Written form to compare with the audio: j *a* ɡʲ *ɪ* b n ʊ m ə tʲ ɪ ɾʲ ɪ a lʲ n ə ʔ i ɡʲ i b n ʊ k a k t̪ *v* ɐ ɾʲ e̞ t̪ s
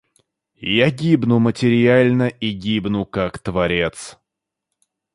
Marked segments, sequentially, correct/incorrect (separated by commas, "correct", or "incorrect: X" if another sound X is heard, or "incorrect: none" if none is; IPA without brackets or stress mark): correct, incorrect: i, correct